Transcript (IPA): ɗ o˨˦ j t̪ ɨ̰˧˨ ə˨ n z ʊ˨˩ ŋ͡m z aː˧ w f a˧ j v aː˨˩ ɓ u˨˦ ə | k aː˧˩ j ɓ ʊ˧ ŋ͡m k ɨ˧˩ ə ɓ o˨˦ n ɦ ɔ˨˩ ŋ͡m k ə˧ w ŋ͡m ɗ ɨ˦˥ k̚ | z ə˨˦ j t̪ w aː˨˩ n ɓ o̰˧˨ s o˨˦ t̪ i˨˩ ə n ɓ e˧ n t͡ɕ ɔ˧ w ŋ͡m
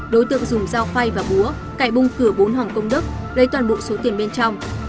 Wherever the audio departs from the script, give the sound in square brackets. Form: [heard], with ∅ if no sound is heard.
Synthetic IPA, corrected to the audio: ɗ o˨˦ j t̪ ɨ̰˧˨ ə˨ [ŋ] z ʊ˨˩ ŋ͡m z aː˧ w f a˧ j v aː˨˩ ɓ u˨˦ ə | k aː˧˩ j ɓ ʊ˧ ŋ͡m k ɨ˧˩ ə ɓ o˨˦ n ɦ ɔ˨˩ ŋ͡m k ə˧ w ŋ͡m ɗ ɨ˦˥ k̚ | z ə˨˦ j t̪ w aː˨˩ n ɓ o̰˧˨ s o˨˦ t̪ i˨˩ ə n ɓ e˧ n t͡ɕ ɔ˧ w ŋ͡m

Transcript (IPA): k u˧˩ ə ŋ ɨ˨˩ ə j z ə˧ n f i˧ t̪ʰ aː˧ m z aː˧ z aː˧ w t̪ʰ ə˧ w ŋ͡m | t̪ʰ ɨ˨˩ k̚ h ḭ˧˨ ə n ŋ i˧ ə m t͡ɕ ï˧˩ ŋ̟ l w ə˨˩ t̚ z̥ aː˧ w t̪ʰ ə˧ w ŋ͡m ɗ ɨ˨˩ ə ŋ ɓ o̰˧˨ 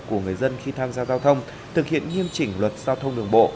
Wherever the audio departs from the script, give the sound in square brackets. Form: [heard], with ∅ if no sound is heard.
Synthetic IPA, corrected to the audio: k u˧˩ ə ŋ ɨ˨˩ ə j z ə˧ n [x] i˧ t̪ʰ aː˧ m z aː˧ z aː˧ w t̪ʰ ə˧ w ŋ͡m | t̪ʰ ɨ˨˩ k̚ h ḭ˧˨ ə n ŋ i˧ ə m t͡ɕ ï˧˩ ŋ̟ l w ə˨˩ t̚ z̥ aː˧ w t̪ʰ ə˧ w ŋ͡m ɗ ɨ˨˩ ə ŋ ɓ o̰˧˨

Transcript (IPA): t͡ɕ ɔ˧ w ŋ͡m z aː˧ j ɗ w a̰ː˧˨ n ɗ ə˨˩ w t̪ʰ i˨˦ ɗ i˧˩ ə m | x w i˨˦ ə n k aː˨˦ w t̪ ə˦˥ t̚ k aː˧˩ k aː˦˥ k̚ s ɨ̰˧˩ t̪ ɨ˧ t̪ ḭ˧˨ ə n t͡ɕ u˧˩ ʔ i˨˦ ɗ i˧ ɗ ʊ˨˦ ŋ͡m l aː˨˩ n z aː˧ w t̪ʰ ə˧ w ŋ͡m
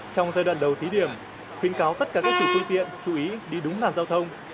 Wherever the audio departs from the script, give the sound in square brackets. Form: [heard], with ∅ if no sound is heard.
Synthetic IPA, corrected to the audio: t͡ɕ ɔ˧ w ŋ͡m z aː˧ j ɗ w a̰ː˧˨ n ɗ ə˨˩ w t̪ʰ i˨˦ ɗ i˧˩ ə m | x w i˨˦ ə n k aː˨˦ w t̪ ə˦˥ t̚ k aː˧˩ k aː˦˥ k̚ s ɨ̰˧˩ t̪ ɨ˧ t̪ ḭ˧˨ ə n t͡ɕ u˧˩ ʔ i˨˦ ɗ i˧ ɗ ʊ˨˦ ŋ͡m l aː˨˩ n z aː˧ w t̪ʰ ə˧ w ŋ͡m

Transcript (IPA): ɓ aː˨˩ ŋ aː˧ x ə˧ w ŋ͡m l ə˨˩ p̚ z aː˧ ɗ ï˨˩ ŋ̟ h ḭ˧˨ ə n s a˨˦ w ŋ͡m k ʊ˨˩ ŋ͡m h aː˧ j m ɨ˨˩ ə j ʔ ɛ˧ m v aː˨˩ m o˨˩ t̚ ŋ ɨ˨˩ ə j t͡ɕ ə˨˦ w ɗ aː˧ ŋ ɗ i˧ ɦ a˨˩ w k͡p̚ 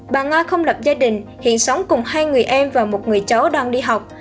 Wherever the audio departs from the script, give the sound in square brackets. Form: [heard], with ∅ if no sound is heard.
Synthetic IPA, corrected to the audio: ɓ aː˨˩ ŋ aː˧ x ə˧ w ŋ͡m l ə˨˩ p̚ z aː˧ ɗ ï˨˩ ŋ̟ h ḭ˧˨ ə n s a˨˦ w ŋ͡m k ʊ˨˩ ŋ͡m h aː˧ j [ŋ] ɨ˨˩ ə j ʔ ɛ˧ m v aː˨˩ m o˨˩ t̚ ŋ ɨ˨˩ ə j t͡ɕ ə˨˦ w ɗ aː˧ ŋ ɗ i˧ ɦ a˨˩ w k͡p̚

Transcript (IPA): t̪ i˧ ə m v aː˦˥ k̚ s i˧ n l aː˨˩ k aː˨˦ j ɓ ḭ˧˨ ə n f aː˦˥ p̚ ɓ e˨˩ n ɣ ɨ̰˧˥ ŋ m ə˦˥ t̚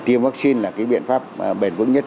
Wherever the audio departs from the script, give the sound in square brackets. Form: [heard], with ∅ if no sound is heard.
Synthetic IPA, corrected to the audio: t̪ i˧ ə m v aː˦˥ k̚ s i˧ n l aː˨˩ k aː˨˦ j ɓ ḭ˧˨ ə n f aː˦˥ p̚ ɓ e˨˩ n [v] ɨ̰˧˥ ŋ [ɲ] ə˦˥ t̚

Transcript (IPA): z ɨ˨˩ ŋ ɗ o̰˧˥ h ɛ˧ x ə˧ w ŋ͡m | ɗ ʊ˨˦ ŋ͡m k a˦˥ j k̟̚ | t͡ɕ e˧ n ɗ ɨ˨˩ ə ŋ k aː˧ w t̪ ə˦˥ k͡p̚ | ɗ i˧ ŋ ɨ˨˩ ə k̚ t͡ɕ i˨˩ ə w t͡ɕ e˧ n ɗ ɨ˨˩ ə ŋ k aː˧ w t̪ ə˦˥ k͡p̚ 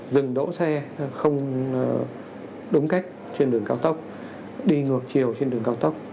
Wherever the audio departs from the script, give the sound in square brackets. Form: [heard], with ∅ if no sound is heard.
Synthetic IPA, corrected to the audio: z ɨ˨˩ ŋ ɗ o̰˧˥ [s] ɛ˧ x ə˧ w ŋ͡m | ɗ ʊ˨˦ ŋ͡m k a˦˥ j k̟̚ | t͡ɕ e˧ n ɗ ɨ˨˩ ə ŋ k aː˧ w t̪ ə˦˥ k͡p̚ | ɗ i˧ ŋ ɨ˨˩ ə k̚ t͡ɕ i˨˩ ə w t͡ɕ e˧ n ɗ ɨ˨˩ ə ŋ k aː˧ w t̪ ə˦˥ k͡p̚

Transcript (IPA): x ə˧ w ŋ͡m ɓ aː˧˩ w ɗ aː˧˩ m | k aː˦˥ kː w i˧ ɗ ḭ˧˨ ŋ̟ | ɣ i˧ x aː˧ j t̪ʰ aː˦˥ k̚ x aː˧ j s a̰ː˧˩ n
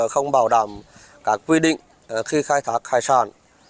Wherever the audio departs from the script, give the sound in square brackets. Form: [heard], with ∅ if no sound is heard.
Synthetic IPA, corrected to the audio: x ə˧ w ŋ͡m ɓ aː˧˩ w ɗ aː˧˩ m | k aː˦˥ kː w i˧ ɗ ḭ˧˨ ŋ̟ | [x] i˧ x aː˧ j t̪ʰ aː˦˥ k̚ x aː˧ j s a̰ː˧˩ n

